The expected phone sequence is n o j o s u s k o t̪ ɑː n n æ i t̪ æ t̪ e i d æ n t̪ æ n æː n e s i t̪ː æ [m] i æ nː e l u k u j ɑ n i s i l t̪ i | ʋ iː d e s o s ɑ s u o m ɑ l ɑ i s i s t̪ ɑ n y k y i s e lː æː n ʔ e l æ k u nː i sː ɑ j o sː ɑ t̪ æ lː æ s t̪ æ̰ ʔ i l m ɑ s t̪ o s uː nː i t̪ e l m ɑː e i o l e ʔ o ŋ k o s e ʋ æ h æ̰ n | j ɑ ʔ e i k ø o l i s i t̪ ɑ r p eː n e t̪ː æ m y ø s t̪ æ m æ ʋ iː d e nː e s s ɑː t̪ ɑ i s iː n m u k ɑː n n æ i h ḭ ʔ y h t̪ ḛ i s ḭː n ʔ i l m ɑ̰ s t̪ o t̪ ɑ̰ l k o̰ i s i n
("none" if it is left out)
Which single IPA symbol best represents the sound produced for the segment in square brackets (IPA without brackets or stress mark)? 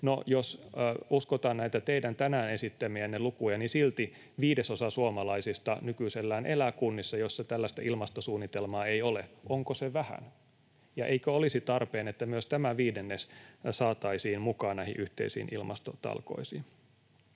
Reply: m